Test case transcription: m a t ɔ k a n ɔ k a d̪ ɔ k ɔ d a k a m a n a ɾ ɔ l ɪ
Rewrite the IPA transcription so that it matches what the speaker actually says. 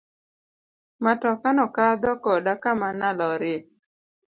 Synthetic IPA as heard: m a t ɔ k a n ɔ k a d̪ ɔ k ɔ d a k a m a n a l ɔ ɾ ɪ